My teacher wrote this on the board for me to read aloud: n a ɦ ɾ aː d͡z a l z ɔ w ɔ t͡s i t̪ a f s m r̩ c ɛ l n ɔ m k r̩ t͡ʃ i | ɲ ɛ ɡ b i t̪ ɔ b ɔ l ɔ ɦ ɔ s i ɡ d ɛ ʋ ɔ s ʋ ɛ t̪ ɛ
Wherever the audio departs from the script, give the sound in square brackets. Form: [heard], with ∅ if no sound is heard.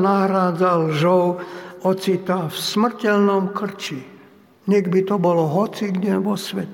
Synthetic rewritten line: n a ɦ ɾ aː d͡z a l [ʒ] ɔ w ɔ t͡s i t̪ a f s m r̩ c ɛ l n ɔ m k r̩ t͡ʃ i | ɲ ɛ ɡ b i t̪ ɔ b ɔ l ɔ ɦ ɔ [t͡s] i ɡ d ɛ ʋ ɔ s ʋ ɛ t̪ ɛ